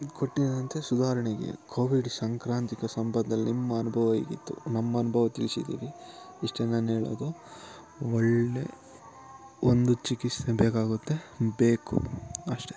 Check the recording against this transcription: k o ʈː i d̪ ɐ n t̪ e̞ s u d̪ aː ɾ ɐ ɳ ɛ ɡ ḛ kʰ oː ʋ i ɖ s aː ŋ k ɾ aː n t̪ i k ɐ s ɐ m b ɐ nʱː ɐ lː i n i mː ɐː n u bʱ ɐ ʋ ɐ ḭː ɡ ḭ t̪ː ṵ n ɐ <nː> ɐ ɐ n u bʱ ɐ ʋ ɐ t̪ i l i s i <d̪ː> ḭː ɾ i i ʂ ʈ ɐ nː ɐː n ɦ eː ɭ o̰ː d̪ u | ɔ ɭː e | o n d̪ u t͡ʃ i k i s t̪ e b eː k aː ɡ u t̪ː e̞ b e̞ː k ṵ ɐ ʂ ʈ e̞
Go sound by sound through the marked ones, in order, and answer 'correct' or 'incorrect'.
incorrect: mː, incorrect: d̪

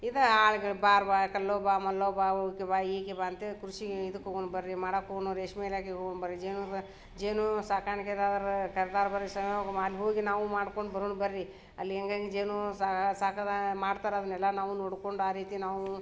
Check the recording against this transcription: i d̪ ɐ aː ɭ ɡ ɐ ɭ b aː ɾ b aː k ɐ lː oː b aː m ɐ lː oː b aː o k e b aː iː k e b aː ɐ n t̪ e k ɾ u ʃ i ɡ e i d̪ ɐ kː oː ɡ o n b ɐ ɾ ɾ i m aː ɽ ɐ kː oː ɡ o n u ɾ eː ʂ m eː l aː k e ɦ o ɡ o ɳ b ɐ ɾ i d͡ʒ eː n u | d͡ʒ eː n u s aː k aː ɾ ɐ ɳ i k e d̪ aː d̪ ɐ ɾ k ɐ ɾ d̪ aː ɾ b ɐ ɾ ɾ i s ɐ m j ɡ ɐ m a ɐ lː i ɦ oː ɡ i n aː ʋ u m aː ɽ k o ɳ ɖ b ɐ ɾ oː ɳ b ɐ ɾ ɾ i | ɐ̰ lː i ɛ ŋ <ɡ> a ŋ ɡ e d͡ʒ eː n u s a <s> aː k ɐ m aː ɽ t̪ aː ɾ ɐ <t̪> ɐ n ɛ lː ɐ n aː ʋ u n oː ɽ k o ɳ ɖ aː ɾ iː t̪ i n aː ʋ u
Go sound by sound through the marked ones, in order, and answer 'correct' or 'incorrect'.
correct, correct, incorrect: d̪

